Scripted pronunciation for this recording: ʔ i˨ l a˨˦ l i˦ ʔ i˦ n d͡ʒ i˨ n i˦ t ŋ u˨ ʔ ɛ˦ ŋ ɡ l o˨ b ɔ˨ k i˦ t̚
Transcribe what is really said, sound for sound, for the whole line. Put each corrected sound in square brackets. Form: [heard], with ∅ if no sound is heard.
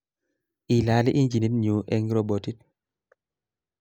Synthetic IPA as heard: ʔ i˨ l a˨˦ l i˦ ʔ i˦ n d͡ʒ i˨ n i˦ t [ɲ] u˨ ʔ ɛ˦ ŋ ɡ [ɾ] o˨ b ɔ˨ [t] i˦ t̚